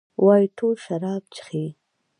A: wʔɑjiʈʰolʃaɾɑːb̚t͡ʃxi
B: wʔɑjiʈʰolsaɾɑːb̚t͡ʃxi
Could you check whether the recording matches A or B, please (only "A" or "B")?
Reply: A